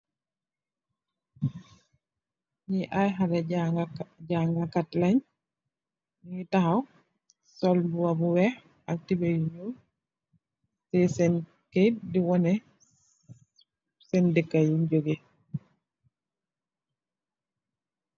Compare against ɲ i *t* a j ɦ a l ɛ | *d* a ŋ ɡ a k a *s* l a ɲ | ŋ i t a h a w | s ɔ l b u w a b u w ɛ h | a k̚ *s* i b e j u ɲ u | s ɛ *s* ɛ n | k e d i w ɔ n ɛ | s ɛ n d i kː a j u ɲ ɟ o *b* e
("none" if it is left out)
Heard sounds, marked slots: ʔ, ɟ, t, t, s, ɡ

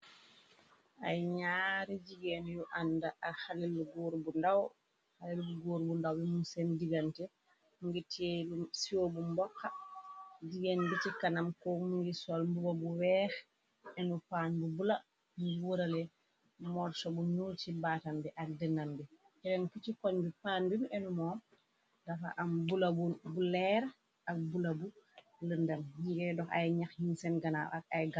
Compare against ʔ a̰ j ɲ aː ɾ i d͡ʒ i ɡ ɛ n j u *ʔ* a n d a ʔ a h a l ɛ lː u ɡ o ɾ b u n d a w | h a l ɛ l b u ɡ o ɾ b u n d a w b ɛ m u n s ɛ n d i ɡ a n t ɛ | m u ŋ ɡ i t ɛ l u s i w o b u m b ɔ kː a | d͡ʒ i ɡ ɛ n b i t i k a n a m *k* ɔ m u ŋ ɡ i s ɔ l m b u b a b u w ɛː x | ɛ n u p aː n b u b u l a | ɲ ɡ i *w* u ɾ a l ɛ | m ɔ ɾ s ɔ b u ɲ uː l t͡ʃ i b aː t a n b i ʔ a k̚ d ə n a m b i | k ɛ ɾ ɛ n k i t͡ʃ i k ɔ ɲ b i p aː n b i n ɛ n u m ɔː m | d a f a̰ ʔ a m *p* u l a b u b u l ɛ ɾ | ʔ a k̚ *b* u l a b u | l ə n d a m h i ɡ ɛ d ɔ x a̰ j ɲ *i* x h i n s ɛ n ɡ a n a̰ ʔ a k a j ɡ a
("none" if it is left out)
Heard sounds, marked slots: ʔ, k, w, b, b, a

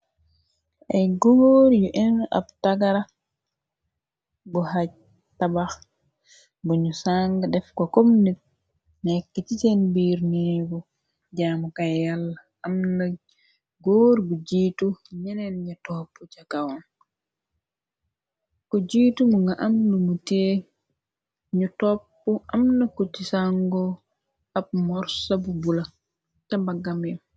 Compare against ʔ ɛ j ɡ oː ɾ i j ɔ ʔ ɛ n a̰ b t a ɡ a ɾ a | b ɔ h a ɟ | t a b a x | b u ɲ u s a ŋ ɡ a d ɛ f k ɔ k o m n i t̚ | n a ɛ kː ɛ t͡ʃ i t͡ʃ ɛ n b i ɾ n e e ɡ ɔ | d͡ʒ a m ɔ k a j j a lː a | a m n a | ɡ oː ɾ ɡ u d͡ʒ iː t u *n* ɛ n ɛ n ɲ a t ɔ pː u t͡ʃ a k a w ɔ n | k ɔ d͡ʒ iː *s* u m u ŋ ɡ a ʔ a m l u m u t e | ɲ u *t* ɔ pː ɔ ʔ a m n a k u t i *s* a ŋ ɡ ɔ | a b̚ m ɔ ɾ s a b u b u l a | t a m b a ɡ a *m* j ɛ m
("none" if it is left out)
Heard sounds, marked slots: ɲ, t, t, s, m

